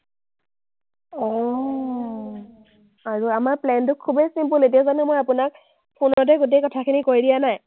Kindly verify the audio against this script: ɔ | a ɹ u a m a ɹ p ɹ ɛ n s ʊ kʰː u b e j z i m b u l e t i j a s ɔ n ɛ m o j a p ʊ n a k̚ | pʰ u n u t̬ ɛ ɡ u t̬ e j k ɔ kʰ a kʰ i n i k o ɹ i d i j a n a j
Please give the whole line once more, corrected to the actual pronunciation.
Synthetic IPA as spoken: ɔ | a ɹ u a m a ɹ p l ɛ n t ʊ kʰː u b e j s i m p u l e t i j a z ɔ n ɛ m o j a p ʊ n a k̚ | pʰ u n ɔ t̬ ɛ ɡ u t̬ e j k ɔ tʰ a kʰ i n i k o ɹ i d i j a n a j